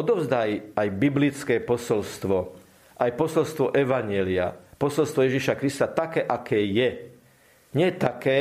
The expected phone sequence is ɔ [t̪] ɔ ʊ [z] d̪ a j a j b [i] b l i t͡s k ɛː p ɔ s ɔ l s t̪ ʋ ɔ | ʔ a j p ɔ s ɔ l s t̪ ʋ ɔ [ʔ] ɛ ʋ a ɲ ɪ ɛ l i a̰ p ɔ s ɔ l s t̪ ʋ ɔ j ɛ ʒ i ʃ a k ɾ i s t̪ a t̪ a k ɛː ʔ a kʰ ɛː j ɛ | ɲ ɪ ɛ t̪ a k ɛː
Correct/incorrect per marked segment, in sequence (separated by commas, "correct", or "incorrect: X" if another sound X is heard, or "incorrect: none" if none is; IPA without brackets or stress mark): incorrect: d̪, correct, correct, correct